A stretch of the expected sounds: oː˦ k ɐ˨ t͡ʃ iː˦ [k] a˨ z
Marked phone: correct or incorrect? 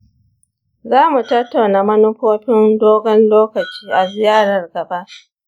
incorrect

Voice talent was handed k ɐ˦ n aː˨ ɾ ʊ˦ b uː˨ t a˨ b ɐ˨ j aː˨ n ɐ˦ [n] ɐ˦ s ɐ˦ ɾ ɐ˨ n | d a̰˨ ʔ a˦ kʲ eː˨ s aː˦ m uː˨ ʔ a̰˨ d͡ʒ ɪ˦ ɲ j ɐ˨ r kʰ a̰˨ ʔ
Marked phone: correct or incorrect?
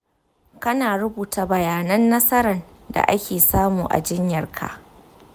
incorrect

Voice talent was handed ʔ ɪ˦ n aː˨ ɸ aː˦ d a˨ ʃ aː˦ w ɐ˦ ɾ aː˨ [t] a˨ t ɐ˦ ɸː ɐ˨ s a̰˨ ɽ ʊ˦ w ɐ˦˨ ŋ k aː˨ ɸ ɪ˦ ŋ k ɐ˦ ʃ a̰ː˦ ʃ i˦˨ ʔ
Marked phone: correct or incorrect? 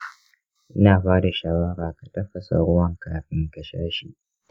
incorrect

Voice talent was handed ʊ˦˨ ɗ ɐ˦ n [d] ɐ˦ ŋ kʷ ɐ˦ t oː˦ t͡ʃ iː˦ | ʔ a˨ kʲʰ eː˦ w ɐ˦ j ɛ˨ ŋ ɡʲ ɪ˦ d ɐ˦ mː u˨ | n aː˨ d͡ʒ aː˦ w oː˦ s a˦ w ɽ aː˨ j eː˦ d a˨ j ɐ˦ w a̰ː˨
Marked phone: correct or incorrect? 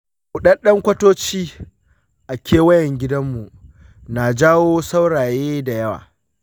incorrect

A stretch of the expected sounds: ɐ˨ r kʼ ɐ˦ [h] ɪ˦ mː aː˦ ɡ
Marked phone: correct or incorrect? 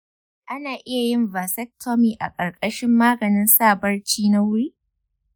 incorrect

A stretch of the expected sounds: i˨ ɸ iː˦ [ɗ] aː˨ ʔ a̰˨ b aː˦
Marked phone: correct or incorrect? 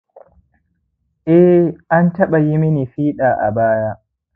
correct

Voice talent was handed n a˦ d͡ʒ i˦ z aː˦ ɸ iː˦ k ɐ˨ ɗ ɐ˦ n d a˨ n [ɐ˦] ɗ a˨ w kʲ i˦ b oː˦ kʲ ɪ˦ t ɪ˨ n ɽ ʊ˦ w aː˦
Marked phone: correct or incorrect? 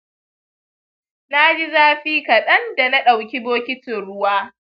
incorrect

